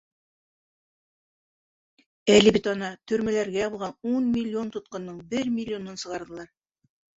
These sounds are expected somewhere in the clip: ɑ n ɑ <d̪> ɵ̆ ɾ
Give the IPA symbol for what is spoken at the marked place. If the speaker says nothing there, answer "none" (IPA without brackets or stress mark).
t̪